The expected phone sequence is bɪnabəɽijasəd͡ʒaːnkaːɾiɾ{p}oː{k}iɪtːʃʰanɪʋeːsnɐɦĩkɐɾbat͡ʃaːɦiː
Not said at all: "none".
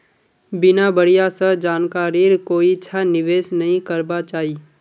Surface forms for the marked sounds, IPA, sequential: k, none

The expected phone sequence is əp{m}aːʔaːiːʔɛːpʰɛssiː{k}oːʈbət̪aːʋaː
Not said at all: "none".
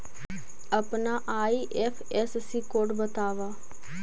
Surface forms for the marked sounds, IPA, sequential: n, k

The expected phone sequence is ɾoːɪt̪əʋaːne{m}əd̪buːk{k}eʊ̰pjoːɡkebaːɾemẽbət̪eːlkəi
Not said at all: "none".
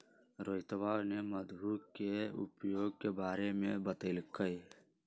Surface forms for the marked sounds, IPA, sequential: m, k

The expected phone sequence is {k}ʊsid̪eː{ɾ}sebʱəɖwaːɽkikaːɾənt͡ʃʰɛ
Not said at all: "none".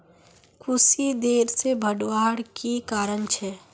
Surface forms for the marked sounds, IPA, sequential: kʰ, ɾ

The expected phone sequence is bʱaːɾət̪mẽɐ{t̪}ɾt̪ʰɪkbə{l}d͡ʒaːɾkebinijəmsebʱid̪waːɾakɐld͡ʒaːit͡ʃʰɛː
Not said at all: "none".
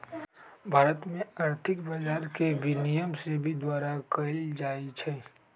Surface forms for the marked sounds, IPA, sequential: none, none

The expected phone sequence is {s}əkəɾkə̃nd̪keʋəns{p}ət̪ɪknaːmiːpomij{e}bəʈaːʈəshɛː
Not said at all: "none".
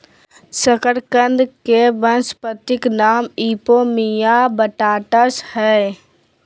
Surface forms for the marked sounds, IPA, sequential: s, p, a

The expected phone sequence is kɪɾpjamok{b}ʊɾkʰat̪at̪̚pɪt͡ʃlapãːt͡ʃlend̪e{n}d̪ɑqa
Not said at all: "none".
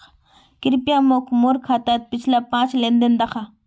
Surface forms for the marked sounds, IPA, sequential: m, n

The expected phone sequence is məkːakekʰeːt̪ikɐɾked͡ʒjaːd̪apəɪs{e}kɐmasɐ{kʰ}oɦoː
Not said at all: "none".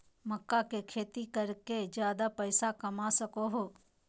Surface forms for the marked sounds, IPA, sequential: a, k

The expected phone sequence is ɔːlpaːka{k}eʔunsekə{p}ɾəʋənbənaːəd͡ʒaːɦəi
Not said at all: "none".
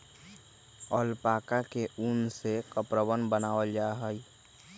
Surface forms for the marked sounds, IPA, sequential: k, p

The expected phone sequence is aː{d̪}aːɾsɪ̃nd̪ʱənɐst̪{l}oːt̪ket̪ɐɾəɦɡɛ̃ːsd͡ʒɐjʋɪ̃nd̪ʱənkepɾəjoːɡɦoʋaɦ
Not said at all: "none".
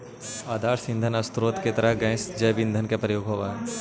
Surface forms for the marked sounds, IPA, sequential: d̪, ɾ

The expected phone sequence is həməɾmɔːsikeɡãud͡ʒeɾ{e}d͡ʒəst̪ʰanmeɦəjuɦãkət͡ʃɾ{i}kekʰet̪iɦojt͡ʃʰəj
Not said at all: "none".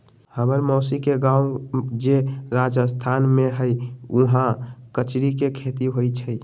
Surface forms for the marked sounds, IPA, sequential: a, i

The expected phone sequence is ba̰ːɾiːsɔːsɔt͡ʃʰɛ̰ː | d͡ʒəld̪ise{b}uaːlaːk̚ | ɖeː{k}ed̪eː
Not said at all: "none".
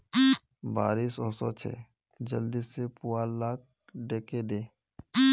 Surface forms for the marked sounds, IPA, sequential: p, k

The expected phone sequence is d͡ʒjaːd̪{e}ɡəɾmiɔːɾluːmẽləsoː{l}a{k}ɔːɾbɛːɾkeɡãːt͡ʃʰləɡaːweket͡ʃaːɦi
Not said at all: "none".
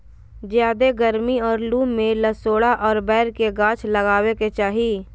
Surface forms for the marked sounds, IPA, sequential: e, ɽ, ʔ

